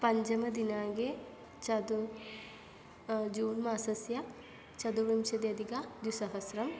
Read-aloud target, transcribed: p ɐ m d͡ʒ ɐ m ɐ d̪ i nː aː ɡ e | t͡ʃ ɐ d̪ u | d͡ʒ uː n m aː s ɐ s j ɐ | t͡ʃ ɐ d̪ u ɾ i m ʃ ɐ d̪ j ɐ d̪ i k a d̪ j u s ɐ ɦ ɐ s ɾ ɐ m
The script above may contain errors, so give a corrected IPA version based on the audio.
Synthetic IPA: p ɐ ɲ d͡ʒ ɐ m ɐ d̪ i n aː ɡ e | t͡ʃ ɐ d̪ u | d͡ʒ uː n m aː s ɐ s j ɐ | t͡ʃ ɐ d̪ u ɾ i m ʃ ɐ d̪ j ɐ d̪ i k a d̪ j u s ɐ ɦ ɐ s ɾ ɐ m